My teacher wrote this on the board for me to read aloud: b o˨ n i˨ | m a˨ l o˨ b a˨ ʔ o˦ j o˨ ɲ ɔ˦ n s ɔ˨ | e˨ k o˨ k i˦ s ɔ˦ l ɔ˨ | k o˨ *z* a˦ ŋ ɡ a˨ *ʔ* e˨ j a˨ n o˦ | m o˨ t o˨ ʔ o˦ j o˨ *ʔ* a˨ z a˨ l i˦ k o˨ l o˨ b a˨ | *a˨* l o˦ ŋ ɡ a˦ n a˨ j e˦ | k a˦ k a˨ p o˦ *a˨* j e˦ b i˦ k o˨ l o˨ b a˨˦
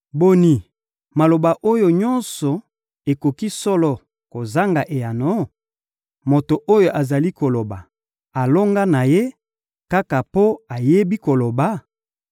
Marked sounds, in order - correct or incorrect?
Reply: correct, correct, correct, correct, correct

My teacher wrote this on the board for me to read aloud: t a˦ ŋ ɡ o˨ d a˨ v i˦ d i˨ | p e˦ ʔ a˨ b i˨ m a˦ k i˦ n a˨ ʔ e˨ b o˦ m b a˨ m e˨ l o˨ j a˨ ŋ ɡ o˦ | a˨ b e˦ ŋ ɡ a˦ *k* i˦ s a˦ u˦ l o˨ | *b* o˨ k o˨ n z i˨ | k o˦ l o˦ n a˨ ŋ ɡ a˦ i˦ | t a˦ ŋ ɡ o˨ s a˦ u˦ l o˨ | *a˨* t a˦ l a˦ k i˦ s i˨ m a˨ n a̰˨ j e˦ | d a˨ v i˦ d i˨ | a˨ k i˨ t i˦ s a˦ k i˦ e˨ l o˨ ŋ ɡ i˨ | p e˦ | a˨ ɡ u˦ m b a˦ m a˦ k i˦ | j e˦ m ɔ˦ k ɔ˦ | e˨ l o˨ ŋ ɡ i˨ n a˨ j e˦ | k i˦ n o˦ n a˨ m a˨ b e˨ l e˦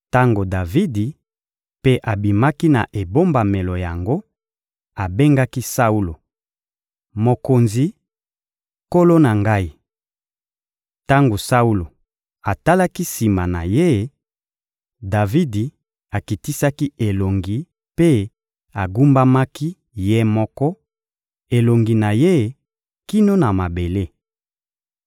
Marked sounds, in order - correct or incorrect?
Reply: correct, incorrect, correct

